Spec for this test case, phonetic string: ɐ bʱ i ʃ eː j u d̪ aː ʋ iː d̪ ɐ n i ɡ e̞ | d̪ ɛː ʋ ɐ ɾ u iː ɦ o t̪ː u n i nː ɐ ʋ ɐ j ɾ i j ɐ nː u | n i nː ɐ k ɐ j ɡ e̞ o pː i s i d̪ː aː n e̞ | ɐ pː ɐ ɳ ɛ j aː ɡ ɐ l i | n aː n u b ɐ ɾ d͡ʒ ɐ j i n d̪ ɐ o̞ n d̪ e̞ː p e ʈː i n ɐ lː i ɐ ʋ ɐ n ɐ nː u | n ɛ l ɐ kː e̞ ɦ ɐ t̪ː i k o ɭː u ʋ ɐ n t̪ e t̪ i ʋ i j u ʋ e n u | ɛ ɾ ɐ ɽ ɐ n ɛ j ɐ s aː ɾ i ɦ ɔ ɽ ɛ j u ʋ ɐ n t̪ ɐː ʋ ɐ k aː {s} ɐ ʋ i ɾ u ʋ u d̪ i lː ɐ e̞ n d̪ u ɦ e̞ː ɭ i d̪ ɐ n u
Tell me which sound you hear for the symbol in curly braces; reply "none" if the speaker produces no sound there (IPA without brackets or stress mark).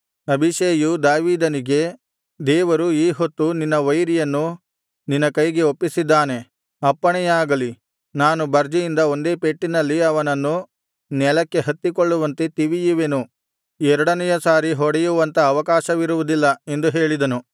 ʃ